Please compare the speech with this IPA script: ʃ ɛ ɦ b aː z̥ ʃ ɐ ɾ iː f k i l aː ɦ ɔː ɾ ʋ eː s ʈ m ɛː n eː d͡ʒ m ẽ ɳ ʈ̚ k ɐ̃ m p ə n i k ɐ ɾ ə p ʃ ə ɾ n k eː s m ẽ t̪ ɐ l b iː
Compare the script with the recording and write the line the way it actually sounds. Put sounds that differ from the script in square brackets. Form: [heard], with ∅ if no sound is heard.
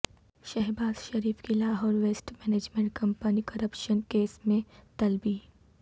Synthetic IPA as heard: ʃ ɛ ɦ b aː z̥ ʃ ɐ ɾ iː f k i l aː ɦ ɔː ɾ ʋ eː s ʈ m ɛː n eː d͡ʒ m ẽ ɳ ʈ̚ k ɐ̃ m p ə n i k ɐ ɾ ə p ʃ ə [∅] n k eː s m ẽ t̪ ɐ l b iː